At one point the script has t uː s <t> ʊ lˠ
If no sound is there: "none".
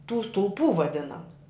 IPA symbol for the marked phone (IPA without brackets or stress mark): t